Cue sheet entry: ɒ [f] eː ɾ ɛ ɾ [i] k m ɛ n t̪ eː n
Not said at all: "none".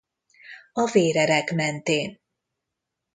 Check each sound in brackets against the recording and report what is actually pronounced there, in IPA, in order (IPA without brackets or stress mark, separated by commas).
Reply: v, ɛ